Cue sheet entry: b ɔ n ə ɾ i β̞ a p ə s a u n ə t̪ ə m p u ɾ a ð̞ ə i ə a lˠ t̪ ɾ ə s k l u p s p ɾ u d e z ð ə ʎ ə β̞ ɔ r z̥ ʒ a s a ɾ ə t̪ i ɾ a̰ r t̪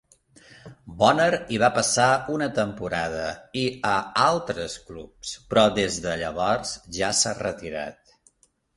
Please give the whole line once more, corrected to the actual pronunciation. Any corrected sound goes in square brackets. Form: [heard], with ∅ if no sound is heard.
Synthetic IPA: b ɔ n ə ɾ i β̞ a p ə s a u n ə t̪ ə m p u ɾ a ð̞ ə i ə a lˠ t̪ ɾ ə s k l u p s p ɾ [ɔ] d e z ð ə ʎ ə β̞ ɔ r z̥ ʒ a s a [r] ə t̪ i ɾ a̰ [∅] t̪